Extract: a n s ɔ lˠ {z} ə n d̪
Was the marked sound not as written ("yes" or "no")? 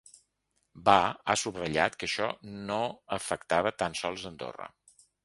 no